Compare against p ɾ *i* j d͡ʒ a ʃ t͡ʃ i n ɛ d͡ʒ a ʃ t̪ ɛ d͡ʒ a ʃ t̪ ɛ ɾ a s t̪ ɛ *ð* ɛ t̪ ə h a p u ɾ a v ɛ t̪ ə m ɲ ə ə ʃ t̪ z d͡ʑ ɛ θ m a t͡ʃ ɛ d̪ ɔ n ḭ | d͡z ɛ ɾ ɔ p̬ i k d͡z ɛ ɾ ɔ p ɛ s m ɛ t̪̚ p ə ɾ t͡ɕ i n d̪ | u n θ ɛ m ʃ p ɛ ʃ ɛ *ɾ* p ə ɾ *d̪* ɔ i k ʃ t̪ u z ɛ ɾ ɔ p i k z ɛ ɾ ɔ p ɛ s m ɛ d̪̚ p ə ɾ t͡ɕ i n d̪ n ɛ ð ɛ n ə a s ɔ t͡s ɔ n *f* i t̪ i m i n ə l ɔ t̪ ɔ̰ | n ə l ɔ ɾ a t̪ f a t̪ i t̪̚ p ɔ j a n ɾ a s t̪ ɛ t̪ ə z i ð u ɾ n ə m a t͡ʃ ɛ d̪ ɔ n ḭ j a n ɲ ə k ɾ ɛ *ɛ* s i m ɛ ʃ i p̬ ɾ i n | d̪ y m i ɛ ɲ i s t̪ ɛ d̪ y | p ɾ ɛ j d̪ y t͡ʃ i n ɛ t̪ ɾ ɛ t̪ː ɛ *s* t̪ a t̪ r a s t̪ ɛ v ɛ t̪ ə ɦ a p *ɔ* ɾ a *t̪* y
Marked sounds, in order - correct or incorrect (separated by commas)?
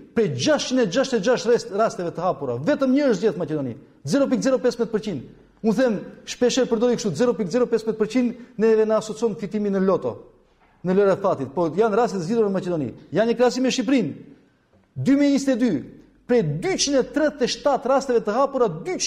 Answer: incorrect, incorrect, correct, correct, correct, incorrect, incorrect, incorrect, incorrect